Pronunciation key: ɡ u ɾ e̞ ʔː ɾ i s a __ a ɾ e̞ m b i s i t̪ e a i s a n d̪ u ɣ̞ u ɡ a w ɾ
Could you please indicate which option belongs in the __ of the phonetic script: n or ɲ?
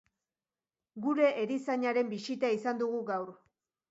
ɲ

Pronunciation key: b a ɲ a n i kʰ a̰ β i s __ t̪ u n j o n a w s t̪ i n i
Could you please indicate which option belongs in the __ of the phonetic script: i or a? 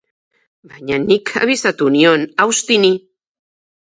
a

